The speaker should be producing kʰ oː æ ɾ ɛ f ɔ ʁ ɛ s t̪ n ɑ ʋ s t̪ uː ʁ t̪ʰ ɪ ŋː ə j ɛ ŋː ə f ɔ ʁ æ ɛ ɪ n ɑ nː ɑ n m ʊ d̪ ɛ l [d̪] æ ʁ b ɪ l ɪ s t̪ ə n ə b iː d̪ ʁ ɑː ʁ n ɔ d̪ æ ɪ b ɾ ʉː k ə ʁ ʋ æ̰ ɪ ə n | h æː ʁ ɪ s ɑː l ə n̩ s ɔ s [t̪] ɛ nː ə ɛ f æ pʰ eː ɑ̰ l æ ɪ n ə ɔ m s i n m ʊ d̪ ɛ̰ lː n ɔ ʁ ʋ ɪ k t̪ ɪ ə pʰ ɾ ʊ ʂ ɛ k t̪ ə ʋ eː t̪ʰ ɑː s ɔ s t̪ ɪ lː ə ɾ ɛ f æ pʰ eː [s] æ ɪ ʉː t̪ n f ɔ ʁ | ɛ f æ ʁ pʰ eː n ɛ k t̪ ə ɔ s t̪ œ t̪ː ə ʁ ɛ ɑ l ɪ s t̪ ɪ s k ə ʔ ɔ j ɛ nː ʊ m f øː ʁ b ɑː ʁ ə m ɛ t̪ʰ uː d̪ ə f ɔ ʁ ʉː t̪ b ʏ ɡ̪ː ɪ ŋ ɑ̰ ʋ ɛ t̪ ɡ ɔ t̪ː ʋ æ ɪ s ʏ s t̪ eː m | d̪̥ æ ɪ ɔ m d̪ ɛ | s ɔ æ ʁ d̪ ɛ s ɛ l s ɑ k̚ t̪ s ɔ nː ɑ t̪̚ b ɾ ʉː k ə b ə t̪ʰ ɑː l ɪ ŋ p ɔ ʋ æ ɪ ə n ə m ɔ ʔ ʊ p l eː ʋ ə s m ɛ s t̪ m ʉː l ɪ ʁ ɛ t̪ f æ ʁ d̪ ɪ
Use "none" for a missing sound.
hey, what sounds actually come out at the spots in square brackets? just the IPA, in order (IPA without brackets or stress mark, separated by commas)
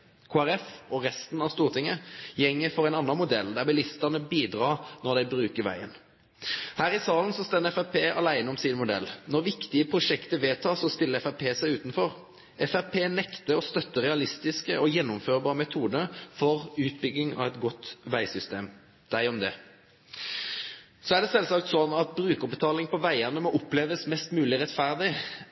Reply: d̪, t̪, s